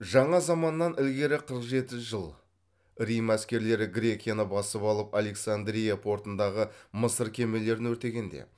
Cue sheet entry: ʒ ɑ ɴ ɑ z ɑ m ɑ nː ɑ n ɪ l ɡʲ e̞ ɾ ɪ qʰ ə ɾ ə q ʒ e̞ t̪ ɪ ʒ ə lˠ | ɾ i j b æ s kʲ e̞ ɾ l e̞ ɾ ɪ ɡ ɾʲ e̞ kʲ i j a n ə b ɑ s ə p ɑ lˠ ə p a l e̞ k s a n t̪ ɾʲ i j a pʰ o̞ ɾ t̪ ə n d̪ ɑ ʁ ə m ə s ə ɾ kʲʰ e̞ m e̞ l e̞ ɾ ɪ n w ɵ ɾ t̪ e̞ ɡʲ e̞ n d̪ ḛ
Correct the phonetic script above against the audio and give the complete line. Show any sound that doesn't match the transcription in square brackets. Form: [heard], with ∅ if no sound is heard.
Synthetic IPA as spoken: ʒ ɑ ɴ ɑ z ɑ m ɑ nː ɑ n ɪ l ɡʲ e̞ ɾ ɪ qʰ ə ɾ ə q ʒ e̞ t̪ ɪ ʒ ə lˠ | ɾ i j [m] æ s kʲ e̞ ɾ l e̞ ɾ ɪ ɡ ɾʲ e̞ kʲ i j a n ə b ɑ s ə p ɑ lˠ ə p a l e̞ k s a n [d̪] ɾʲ i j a pʰ o̞ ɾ t̪ ə n d̪ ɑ ʁ ə m ə s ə ɾ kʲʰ e̞ m e̞ l e̞ ɾ ɪ n w ɵ ɾ t̪ e̞ ɡʲ e̞ n d̪ ḛ